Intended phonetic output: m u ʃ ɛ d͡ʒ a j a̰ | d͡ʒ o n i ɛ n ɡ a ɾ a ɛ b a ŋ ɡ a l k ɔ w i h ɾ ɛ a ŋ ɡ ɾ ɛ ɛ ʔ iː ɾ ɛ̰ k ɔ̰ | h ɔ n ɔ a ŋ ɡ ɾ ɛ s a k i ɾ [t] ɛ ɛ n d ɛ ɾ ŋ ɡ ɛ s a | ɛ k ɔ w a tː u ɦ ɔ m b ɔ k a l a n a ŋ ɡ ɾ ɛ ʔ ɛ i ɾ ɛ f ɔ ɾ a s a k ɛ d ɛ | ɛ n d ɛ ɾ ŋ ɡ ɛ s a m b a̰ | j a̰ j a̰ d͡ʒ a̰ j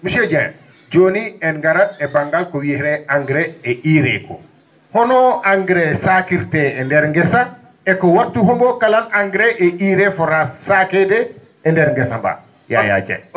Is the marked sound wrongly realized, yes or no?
no